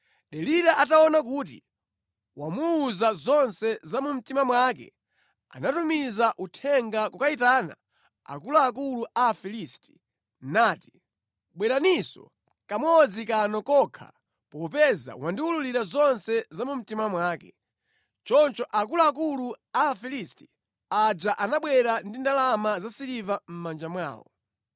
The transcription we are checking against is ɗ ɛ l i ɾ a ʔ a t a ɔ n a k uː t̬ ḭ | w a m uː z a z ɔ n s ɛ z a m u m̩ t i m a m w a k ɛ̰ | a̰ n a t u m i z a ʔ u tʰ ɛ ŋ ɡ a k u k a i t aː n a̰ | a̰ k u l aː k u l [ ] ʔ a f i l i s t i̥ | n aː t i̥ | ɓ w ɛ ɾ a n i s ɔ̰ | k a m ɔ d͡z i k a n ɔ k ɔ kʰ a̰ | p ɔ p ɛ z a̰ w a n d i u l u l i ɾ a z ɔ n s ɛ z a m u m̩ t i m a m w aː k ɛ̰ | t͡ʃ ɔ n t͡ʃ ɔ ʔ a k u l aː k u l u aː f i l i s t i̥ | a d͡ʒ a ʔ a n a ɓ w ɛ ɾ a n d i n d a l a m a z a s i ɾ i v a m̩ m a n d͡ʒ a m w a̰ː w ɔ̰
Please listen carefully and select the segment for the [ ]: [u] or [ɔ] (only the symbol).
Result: u